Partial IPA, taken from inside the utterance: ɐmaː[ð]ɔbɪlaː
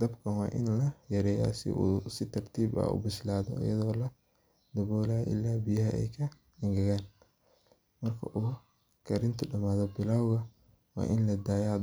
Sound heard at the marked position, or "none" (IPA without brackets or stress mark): ð